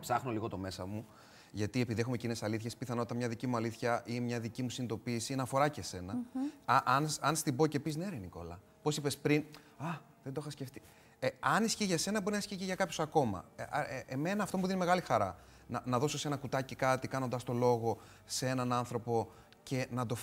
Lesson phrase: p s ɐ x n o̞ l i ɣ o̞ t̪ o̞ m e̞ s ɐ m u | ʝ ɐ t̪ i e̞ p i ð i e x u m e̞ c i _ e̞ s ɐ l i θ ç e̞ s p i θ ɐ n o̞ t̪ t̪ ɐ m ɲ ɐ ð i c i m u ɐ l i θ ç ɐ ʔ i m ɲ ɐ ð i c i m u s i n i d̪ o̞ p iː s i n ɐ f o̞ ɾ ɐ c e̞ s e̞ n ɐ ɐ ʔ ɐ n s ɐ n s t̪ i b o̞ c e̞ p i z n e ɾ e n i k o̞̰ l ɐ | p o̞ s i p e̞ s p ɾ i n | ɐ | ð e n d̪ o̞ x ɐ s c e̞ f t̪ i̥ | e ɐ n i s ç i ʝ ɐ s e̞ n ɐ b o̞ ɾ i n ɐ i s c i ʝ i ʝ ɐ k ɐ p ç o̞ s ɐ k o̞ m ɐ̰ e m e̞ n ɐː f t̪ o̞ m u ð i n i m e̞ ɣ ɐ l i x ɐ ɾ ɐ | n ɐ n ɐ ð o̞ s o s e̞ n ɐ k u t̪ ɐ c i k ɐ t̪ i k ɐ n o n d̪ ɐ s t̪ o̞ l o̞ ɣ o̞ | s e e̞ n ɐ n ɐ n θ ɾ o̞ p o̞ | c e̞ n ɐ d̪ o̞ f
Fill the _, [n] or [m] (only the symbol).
n